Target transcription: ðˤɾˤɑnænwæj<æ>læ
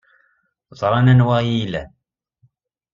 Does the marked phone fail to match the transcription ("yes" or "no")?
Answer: yes